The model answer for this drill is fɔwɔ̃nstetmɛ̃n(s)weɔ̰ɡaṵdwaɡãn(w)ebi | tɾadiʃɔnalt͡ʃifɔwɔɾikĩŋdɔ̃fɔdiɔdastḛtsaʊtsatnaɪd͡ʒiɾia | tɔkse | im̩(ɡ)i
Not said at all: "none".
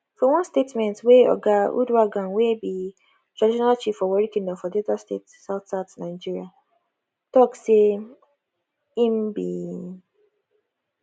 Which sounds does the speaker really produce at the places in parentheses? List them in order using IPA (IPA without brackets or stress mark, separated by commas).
t, w, b